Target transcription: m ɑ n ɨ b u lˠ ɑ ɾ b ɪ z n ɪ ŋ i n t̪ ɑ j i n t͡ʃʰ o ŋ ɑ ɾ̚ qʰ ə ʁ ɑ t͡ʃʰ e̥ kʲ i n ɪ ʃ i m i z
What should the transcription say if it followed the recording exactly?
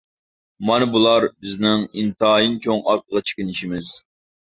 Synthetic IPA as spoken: m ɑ n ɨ b u lˠ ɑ ɾ b ɪ z n ɪ ŋ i n t̪ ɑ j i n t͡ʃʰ o ŋ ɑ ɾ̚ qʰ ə ʁ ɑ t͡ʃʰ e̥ kʲ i n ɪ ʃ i m ɪ z